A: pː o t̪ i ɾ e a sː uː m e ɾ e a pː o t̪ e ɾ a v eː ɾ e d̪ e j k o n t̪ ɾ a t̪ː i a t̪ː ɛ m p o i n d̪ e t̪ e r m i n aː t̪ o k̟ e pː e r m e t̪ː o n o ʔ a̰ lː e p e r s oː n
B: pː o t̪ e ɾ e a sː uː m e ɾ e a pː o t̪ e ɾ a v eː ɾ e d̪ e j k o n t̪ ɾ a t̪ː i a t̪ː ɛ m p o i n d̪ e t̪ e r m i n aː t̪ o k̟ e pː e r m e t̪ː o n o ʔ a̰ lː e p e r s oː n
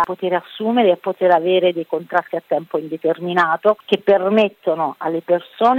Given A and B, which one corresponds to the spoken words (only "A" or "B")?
B